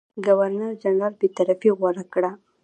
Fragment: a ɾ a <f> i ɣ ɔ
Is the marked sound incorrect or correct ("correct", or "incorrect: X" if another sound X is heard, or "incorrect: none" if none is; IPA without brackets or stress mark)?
correct